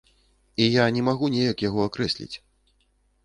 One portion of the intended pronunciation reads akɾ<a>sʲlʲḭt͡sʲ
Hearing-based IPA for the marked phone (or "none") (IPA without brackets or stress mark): ɛ